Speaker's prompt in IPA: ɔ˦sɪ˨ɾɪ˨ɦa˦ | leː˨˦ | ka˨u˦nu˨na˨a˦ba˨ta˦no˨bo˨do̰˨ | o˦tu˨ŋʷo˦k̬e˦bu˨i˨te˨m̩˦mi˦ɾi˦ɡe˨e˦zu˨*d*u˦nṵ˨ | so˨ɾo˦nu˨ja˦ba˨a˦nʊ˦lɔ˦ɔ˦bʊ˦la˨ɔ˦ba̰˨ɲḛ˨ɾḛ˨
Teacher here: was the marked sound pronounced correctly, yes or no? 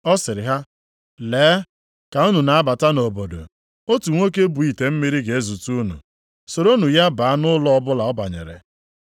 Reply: no